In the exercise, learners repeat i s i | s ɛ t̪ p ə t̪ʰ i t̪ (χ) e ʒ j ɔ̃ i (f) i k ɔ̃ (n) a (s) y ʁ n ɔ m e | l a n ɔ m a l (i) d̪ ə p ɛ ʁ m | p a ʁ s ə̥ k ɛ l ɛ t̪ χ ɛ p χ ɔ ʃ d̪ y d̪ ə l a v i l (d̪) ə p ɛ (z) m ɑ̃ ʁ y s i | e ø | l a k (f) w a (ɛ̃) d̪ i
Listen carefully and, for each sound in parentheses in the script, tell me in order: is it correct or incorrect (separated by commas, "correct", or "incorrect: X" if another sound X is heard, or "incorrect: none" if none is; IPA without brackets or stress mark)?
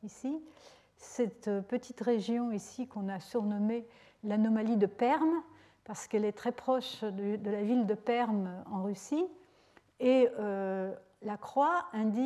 incorrect: ʁ, incorrect: s, correct, correct, correct, correct, incorrect: ʁ, incorrect: χ, correct